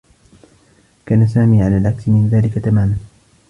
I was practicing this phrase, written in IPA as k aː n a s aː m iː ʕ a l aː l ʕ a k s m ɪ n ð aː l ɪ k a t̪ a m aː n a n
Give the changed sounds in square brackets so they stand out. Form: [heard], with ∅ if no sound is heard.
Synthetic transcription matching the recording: k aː n a s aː m iː ʕ a l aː l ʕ a k s m ɪ n ð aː l ɪ k a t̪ a m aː [m] a n

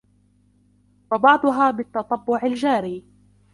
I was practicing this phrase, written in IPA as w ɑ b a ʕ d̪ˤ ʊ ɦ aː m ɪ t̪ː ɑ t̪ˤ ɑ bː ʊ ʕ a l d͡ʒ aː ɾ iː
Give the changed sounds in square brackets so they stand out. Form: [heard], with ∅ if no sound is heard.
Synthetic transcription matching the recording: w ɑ b [ɑ] ʕ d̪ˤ ʊ ɦ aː [b] ɪ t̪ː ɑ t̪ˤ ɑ bː ʊ ʕ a l d͡ʒ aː ɾ iː

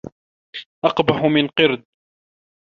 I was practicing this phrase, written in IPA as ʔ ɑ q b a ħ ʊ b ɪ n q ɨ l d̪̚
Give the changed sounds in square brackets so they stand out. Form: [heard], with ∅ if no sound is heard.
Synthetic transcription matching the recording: ʔ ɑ q b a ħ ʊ [m] ɪ n q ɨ [ɾ] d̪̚

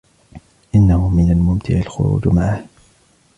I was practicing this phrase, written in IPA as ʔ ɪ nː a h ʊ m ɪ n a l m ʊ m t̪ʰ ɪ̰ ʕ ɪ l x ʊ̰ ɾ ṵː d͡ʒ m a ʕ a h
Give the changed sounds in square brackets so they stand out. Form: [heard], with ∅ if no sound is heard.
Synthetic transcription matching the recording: ʔ ɪ nː a h ʊ m ɪ n a l m ʊ m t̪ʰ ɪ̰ ʕ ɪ l x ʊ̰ ɾ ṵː d͡ʒ m a ʕ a h

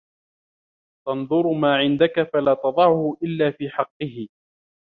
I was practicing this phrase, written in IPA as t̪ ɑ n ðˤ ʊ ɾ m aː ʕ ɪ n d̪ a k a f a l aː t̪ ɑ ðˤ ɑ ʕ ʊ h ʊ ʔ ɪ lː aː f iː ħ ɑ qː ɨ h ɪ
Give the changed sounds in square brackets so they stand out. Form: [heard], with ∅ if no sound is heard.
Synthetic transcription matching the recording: t̪ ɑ n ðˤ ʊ ɾ m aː ʕ ɪ n d̪ a k a f a l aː t̪ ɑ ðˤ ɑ ʕ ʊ h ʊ ʔ ɪ lː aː f iː ħ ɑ qː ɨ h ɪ

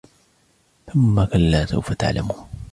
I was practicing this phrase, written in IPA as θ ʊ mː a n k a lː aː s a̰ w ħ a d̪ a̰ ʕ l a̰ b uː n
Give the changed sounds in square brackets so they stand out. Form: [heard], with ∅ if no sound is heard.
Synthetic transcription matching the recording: θ ʊ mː a [∅] k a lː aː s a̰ w [f] a [t̪] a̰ ʕ l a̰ [m] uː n

